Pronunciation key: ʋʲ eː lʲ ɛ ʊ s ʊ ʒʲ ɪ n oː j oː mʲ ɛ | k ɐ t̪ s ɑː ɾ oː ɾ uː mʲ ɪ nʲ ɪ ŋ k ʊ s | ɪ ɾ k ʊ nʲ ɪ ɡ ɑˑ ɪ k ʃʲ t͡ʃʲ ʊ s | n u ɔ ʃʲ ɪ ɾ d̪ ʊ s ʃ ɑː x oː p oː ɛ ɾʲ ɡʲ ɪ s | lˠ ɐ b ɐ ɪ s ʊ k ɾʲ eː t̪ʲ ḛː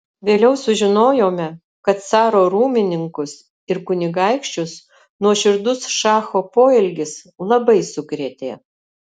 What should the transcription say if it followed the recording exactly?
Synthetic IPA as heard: ʋʲ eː lʲ ɛ ʊ s ʊ ʒʲ ɪ n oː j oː mʲ ɛ | k ɐ t̪ s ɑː ɾ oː ɾ uː mʲ ɪ nʲ ɪ ŋ k ʊ s | ɪ ɾ k ʊ nʲ ɪ ɡ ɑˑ ɪ k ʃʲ t͡ʃʲ ʊ s | n u ɔ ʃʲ ɪ ɾ d̪ ʊ s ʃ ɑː x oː p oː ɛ lʲ ɡʲ ɪ s | lˠ ɐ b ɐ ɪ s ʊ k ɾʲ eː t̪ʲ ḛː